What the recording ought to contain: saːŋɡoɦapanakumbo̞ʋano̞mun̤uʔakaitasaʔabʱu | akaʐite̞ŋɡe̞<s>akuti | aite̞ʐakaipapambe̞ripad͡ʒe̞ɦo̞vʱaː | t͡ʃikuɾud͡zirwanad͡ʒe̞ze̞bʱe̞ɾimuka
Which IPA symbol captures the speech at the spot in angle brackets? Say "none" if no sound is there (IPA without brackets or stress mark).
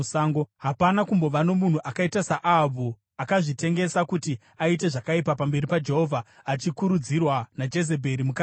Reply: s